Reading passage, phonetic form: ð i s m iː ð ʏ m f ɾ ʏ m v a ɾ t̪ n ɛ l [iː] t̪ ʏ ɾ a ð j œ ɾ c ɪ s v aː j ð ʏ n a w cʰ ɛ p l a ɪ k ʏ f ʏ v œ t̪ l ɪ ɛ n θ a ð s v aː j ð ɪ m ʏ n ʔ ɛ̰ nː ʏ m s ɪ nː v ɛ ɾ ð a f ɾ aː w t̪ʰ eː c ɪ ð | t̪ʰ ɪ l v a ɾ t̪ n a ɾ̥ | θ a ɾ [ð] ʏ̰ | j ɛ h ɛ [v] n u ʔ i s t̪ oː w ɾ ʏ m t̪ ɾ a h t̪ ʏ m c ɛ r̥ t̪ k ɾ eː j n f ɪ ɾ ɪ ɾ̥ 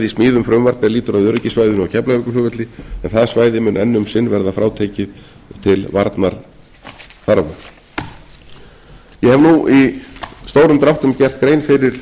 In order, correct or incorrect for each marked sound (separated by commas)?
correct, incorrect, correct